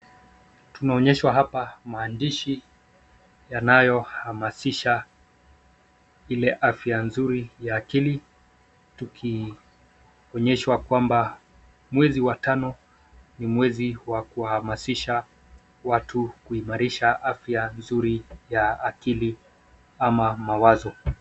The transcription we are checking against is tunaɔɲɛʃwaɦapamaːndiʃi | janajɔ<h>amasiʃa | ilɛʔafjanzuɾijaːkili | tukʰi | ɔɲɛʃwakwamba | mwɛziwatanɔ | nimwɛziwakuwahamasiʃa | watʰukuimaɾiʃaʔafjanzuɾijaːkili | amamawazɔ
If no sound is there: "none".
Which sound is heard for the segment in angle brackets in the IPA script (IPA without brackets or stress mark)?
h